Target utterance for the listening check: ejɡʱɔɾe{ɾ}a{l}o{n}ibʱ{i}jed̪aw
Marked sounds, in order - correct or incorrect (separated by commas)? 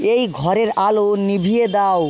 correct, correct, correct, correct